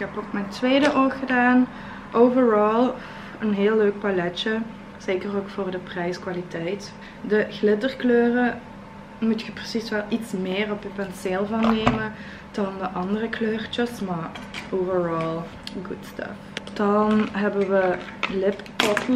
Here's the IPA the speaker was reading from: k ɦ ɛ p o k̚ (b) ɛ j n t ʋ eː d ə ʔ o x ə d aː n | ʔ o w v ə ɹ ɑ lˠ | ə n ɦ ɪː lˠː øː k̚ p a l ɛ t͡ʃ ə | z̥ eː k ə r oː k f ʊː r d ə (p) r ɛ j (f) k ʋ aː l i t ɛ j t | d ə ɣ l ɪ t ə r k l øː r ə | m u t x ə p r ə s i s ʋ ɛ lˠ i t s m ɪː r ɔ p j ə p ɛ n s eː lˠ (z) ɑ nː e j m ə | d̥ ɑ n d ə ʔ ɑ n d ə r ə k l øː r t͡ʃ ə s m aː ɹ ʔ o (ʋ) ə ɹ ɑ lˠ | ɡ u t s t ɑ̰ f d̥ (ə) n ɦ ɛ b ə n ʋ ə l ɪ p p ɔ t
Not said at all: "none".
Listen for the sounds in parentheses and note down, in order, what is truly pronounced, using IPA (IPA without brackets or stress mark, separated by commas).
m, p, s, v, v, ɑ